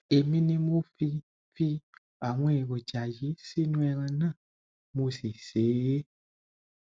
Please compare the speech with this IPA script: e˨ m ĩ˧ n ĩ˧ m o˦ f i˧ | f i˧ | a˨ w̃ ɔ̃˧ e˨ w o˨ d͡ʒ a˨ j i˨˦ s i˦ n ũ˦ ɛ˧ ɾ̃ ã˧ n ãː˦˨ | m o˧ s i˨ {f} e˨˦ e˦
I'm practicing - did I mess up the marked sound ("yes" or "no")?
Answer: yes